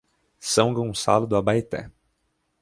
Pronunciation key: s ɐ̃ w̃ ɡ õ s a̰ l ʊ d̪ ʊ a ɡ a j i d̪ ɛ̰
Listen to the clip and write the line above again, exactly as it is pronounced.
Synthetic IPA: s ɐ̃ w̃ ɡ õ s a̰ l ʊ d̪ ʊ a b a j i t̪ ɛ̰